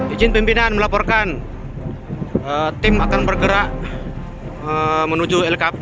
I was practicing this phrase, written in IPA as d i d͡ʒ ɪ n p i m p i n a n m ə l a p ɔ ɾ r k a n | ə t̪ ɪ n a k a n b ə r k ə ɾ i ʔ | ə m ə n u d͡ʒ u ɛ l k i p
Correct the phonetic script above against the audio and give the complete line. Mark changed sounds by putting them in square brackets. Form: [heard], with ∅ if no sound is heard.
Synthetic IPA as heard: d i d͡ʒ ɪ n p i m p i n a n m ə l a p ɔ [∅] r k a n | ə t̪ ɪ [m] a k a n b ə r [ɡ] ə ɾ [a] ʔ | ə m ə n u d͡ʒ u ɛ l k [a] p